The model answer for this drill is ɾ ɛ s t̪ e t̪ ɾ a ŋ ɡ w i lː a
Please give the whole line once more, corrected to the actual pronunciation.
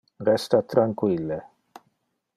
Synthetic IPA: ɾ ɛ s t̪ a t̪ ɾ a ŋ k w i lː e